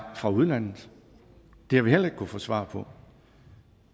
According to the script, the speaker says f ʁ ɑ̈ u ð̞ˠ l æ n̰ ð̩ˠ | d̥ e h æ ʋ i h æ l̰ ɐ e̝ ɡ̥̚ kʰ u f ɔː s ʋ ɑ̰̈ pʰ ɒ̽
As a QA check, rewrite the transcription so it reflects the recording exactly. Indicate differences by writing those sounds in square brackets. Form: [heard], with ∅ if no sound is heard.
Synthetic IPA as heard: f ʁ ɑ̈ u ð̞ˠ l æ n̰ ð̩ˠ | d̥ e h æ ʋ i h [e] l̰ ɐ e̝ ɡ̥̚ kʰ u f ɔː s ʋ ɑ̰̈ pʰ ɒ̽